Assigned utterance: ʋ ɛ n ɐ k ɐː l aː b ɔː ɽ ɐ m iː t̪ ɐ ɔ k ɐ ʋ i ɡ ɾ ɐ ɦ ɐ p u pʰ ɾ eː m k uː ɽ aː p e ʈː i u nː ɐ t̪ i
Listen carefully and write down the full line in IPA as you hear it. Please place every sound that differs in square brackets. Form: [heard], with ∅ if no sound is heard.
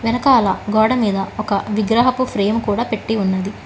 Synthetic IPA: ʋ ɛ n ɐ k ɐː l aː [ɡ] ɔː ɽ ɐ m iː [d̪] ɐ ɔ k ɐ ʋ i ɡ ɾ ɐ ɦ ɐ p u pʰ ɾ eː m k uː ɽ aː p e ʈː i u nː ɐ [d̪] i